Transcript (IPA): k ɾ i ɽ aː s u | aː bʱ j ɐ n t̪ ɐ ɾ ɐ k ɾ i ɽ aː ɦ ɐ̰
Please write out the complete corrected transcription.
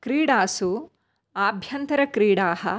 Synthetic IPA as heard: k ɾ iː ɽ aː s u | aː bʱ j ɐ n t̪ ɐ ɾ ɐ k ɾ iː ɽ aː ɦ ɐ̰